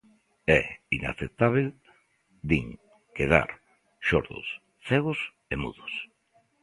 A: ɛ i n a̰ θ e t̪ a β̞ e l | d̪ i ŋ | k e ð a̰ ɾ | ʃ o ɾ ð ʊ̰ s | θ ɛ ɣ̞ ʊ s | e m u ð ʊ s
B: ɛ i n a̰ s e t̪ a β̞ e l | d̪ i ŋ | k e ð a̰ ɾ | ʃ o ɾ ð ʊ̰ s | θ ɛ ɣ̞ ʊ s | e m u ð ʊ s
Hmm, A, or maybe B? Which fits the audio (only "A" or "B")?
A